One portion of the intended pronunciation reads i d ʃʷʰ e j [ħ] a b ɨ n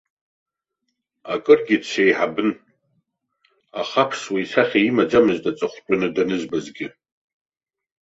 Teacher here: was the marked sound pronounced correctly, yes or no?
yes